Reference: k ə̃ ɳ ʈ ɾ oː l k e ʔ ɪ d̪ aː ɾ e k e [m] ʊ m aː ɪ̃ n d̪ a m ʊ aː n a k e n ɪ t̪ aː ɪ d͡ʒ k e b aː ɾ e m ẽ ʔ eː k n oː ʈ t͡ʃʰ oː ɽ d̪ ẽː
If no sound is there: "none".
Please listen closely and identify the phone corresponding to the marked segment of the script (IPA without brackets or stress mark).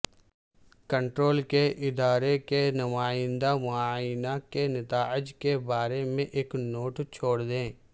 n